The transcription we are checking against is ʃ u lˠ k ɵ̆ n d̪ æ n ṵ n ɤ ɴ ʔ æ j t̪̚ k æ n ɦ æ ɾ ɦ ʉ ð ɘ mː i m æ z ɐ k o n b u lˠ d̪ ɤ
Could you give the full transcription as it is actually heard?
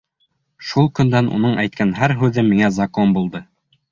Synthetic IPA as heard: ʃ u lˠ k ɵ̆ n d̪ æ n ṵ n ɤ ɴ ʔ æ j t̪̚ k æ n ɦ æ ɾ ɦ ʉ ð ɘ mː i ŋ æ z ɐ k o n b u lˠ d̪ ɤ